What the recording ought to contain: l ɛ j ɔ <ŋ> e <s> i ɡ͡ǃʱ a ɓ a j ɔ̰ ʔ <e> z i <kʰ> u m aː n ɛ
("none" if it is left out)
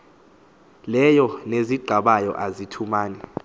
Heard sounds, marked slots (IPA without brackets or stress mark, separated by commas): n, z, a, tʰ